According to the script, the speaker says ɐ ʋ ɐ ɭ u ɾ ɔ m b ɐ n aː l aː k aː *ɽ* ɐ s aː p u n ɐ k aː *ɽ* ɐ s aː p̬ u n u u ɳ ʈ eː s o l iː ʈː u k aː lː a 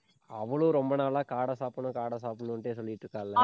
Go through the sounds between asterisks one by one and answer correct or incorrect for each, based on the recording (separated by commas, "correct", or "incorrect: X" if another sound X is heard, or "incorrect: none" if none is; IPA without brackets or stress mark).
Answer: correct, correct